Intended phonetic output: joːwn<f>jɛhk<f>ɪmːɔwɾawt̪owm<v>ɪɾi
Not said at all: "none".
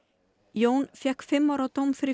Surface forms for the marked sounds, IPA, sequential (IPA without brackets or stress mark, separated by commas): f, f, f